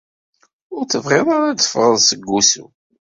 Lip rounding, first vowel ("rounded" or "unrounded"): rounded